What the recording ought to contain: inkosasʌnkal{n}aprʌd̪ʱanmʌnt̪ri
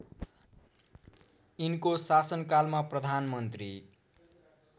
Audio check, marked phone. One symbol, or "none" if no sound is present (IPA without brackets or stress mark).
m